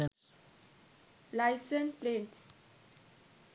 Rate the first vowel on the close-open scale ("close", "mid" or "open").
open